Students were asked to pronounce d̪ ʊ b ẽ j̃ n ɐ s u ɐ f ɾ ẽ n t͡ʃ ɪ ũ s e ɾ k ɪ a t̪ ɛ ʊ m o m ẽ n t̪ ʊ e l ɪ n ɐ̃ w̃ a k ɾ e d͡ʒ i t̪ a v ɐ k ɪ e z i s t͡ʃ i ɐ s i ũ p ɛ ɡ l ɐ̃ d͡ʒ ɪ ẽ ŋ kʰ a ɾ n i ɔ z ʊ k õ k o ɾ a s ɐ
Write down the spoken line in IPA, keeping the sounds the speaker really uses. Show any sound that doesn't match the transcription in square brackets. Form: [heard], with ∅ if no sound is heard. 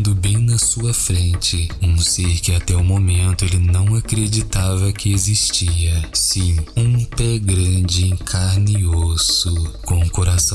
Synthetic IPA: d̪ ʊ b ẽ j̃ n ɐ s u ɐ f ɾ ẽ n t͡ʃ ɪ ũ s e ɾ k ɪ a t̪ ɛ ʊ m o m ẽ n t̪ ʊ e l ɪ n ɐ̃ w̃ a k ɾ e d͡ʒ i t̪ a v ɐ k ɪ e z i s t͡ʃ i ɐ s [ĩ] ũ p ɛ ɡ [ɾ] ɐ̃ d͡ʒ ɪ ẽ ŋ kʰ a ɾ n i [o] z ʊ k õ k o ɾ a s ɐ